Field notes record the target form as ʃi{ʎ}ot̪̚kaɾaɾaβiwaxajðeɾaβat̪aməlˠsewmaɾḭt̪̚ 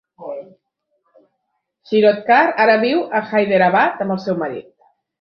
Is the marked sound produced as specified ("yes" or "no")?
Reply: no